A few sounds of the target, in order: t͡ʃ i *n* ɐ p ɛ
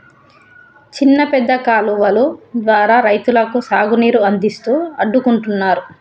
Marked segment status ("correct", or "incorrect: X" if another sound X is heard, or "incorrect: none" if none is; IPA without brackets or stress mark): incorrect: nː